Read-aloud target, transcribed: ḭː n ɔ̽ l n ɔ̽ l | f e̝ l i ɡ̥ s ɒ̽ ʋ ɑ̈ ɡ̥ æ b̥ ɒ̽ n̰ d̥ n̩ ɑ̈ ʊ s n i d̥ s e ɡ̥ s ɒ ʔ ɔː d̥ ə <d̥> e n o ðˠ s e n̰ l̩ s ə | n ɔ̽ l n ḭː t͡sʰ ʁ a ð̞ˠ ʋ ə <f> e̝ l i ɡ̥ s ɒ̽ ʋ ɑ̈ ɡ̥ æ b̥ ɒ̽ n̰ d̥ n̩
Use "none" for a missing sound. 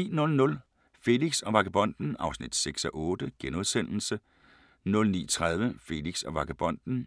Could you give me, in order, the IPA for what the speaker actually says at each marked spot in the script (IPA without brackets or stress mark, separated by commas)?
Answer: ɡ̥, f